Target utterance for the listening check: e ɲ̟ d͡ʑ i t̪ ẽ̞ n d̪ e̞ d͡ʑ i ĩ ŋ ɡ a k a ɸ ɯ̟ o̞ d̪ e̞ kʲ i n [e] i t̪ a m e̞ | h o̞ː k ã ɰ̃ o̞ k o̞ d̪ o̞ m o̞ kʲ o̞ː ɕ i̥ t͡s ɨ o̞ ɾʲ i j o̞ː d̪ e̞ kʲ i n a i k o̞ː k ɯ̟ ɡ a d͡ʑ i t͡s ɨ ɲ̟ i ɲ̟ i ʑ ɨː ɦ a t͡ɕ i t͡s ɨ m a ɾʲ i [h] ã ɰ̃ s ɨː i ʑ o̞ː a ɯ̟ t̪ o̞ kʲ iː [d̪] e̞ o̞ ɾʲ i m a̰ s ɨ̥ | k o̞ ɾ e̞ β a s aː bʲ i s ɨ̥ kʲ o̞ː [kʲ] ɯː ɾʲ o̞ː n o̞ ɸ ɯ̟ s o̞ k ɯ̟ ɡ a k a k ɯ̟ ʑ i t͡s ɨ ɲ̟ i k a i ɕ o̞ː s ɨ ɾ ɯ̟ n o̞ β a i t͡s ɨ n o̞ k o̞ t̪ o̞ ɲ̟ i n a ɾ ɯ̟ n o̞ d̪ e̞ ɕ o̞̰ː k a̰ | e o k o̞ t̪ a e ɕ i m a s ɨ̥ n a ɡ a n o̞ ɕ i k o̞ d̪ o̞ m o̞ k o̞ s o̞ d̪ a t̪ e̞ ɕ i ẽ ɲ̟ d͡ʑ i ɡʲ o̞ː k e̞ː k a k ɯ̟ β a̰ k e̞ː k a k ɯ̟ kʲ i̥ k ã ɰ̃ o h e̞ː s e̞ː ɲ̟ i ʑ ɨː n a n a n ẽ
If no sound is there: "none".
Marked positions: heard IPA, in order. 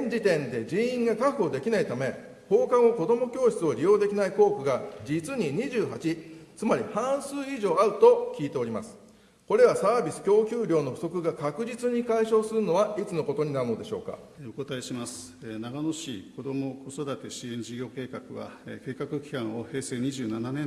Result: a, h, t̪, kʲ

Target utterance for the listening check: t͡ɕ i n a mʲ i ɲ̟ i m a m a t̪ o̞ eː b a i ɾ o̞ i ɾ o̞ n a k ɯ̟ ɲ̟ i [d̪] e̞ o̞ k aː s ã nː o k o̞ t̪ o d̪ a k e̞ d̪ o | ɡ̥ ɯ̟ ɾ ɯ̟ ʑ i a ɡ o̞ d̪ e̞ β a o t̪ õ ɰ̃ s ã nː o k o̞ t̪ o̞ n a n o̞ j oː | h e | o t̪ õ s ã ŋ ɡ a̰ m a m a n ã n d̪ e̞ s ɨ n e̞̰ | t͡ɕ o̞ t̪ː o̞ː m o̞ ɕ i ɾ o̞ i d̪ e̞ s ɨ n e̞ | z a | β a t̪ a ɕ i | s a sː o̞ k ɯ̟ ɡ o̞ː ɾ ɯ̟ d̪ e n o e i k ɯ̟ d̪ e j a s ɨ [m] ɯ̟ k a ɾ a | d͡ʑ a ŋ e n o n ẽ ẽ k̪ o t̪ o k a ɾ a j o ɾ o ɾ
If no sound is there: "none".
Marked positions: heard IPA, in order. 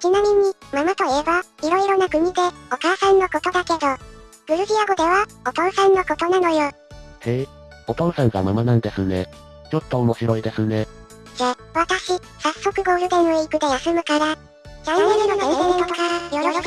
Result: d̪, m

